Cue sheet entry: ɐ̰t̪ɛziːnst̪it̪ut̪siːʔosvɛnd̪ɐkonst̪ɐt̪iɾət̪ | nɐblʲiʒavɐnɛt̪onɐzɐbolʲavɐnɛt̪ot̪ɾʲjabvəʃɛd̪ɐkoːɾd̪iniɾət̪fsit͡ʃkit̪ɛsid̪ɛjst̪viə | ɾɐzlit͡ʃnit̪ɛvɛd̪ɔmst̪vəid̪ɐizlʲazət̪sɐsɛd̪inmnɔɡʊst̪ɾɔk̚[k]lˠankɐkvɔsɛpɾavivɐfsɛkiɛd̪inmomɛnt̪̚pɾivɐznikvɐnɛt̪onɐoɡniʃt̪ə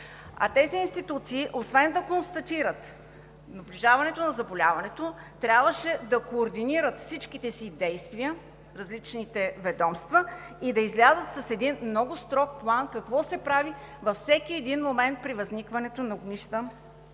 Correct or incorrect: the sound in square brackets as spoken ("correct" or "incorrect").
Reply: incorrect